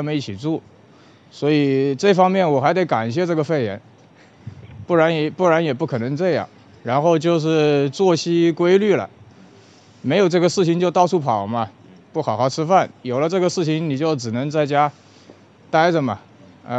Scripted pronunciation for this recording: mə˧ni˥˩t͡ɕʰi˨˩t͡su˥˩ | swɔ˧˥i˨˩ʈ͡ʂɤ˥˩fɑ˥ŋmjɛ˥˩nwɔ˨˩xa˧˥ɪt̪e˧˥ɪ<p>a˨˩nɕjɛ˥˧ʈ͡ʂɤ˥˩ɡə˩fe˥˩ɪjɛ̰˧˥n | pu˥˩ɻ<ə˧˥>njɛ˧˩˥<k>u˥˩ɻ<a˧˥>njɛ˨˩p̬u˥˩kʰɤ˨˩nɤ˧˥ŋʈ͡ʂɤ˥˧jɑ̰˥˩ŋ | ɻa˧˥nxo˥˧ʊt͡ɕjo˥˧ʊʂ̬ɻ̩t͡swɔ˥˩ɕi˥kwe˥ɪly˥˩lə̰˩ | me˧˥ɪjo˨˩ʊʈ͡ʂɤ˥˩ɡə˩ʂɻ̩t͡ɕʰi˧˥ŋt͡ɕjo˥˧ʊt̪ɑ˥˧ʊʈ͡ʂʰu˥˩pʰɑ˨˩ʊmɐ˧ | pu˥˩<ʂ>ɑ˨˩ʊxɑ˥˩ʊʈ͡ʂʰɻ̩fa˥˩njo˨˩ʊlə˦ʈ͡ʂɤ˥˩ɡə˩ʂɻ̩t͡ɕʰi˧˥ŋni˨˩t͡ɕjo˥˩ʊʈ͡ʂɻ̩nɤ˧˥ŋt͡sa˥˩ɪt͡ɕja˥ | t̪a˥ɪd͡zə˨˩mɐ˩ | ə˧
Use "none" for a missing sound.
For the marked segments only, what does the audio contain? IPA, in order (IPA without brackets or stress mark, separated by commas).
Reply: k, a˧˥, p, a˧˥, x